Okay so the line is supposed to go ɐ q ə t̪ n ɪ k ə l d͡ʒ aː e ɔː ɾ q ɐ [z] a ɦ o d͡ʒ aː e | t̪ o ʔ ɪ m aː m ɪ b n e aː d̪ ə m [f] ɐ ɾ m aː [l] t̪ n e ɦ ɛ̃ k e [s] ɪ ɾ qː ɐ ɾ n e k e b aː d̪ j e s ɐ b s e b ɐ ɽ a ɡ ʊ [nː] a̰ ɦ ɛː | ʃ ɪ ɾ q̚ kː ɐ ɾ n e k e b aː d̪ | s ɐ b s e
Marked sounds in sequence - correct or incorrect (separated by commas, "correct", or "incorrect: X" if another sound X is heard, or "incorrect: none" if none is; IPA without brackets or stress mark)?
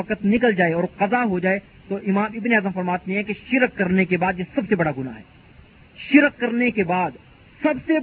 correct, correct, incorrect: none, incorrect: ʃ, incorrect: n